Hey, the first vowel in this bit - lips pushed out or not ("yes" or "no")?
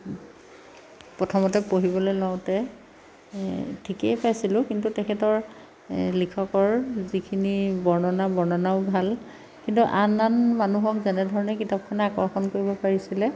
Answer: yes